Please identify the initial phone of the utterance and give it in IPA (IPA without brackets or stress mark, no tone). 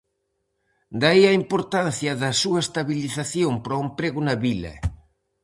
d̪